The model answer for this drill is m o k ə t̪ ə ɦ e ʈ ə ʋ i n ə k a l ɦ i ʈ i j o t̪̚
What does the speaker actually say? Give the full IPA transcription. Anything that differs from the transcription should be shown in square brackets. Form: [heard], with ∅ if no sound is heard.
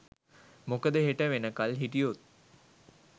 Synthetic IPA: m o k ə [d̪] ə ɦ e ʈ ə ʋ [e] n ə k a l ɦ i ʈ i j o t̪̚